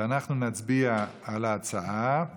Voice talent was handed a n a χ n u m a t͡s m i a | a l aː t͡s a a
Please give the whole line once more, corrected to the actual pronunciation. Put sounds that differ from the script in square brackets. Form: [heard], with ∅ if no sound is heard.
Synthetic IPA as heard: a n a χ n u [n] a t͡s [b] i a | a l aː t͡s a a